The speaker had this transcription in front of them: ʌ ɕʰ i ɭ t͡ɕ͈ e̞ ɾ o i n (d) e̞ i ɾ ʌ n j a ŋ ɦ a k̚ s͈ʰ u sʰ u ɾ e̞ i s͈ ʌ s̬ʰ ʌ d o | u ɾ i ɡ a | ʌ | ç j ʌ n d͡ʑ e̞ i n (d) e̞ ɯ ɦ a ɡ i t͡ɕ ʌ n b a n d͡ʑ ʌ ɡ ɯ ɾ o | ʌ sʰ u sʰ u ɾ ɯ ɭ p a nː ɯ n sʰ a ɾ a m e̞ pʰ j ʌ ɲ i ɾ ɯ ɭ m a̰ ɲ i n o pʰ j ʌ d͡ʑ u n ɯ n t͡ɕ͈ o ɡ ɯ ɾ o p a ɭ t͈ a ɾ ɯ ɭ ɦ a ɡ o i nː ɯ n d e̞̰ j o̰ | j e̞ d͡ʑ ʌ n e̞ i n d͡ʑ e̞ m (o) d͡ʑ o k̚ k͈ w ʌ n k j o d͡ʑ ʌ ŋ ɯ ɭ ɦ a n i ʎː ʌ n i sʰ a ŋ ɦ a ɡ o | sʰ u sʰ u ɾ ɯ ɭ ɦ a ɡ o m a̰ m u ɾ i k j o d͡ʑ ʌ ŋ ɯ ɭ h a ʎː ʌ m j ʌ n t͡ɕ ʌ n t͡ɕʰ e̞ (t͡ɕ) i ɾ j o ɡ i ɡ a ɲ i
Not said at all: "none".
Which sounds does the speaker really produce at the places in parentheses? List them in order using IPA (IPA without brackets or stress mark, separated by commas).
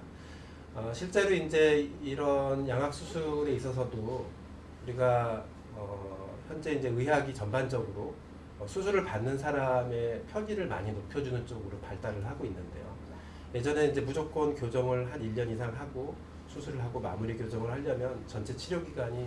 d͡ʑ, d͡ʑ, u, t͡ɕʰ